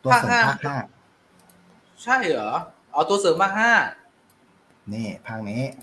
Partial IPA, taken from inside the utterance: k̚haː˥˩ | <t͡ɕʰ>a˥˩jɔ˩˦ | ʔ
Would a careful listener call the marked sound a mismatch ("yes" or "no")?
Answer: no